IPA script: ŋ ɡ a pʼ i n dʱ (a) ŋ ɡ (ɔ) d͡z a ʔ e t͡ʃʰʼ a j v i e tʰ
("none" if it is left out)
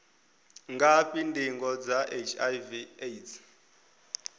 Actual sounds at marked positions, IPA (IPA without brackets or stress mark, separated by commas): i, ɔ